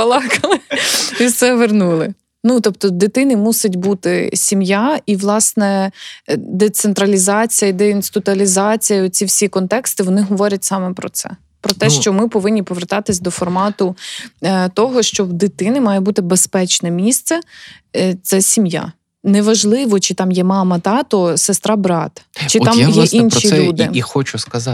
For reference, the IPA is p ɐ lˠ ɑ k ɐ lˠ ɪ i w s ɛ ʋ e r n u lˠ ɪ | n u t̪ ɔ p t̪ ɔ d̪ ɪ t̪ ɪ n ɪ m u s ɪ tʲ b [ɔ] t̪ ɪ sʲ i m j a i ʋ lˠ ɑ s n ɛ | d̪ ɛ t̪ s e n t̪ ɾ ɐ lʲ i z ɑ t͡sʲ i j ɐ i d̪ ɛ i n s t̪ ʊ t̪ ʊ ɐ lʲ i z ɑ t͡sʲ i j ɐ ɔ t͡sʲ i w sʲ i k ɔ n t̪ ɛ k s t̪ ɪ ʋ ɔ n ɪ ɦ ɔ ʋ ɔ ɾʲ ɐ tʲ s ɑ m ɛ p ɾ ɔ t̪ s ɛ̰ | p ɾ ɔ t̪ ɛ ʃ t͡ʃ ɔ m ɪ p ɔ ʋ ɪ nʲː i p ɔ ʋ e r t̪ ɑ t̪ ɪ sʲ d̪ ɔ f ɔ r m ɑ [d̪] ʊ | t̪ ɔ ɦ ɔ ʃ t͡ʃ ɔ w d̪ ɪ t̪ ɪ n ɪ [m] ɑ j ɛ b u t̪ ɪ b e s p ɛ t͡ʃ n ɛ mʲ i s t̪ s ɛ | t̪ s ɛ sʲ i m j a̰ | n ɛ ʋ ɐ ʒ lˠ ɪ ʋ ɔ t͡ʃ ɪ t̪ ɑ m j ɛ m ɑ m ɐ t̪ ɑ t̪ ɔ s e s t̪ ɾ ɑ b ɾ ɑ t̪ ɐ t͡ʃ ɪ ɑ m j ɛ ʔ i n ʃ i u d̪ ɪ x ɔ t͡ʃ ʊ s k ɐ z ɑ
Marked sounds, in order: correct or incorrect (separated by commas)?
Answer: incorrect, incorrect, correct